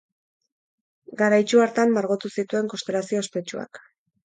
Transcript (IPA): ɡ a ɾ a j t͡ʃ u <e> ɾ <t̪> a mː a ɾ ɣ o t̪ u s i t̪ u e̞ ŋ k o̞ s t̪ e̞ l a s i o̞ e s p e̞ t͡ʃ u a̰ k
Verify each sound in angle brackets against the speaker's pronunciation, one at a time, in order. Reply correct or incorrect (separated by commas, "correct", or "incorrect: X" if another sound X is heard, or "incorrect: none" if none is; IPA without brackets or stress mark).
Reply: incorrect: a, correct